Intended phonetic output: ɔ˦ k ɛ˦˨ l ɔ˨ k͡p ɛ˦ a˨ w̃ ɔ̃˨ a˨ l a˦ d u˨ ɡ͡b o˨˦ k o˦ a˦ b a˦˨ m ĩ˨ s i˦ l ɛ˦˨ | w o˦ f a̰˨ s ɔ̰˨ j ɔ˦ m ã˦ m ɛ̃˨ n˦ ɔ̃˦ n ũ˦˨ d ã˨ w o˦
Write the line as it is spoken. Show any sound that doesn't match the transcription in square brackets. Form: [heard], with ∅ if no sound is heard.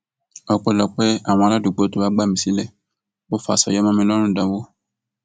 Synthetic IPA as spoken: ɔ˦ [k͡p] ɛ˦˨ l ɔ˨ k͡p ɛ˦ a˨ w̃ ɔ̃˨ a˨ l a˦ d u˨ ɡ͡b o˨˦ [t] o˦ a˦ [ɡ͡b] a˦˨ m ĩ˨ s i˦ l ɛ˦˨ | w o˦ f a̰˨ s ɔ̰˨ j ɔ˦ m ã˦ m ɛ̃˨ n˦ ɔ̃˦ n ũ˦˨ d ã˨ w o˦